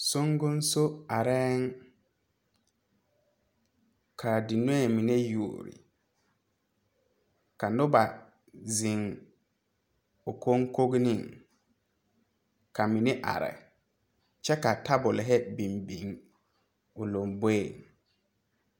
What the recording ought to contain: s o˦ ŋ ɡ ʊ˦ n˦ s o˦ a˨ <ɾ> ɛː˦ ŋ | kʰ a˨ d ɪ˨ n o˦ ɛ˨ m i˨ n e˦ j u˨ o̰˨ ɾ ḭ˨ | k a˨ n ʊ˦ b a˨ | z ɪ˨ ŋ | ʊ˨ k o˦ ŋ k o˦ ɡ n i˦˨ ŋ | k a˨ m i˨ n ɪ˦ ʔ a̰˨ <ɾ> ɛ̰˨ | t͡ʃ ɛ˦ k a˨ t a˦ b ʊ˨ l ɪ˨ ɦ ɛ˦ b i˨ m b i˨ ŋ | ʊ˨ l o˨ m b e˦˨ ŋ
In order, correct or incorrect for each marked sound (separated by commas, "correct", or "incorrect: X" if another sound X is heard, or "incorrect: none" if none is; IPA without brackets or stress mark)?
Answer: correct, correct